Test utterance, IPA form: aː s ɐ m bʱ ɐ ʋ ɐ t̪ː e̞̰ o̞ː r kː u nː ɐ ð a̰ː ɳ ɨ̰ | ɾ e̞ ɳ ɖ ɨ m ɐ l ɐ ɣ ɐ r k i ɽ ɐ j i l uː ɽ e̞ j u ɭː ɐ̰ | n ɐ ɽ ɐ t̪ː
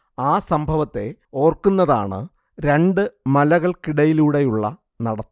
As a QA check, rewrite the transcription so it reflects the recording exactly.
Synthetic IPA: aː s ɐ m bʱ ɐ ʋ ɐ t̪ː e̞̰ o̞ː r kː u nː ɐ ð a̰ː ɳ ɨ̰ | ɾ e̞ ɳ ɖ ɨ m ɐ l ɐ ɣ ɐ ɭ k i ɽ ɐ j i l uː ɽ e̞ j u ɭː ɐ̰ | n ɐ ɽ ɐ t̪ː